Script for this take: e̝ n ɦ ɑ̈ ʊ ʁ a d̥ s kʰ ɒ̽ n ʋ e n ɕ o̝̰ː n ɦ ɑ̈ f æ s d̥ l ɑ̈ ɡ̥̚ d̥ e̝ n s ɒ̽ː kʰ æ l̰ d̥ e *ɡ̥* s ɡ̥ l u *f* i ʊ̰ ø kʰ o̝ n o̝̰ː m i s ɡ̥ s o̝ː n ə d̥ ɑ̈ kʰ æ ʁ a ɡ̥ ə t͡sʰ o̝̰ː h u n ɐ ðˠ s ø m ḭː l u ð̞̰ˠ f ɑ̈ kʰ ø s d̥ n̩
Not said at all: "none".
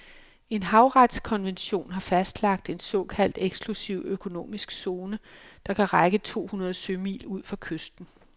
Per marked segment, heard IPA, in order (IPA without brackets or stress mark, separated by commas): ɡ̥, s